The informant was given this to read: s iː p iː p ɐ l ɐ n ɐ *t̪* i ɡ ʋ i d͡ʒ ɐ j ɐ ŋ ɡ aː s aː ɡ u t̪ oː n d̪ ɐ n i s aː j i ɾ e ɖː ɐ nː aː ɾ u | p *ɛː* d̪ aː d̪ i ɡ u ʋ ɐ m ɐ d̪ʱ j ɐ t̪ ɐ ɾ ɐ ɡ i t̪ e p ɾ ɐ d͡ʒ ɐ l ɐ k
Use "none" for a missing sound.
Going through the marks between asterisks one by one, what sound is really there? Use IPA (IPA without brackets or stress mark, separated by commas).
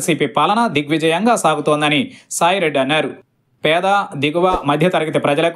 d̪, ɛː